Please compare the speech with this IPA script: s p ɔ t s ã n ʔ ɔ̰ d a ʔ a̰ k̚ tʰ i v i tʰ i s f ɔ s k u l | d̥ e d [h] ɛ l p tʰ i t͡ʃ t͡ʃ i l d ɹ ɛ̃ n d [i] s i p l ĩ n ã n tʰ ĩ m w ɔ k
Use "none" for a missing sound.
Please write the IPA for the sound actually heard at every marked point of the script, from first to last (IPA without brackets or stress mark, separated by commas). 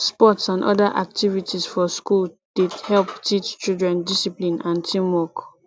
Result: h, i